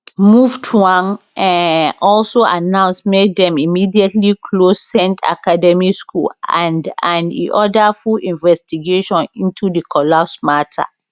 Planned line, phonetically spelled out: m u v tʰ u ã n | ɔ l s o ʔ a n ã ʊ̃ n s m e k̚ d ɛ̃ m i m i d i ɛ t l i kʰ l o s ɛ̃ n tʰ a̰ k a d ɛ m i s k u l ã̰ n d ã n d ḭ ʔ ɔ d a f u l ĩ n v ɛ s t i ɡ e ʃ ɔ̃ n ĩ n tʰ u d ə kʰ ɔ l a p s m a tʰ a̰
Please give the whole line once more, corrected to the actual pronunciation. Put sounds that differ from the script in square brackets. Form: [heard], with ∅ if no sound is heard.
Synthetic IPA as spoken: m u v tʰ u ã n | ɔ l s o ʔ a n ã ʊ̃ n s m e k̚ d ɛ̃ m i m i d i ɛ t l i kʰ l o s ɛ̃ n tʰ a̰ k a d ɛ m i s k u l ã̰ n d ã n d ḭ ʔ ɔ d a f u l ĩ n v ɛ s t i ɡ e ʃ ɔ̃ n ĩ n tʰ u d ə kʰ ɔ l a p s m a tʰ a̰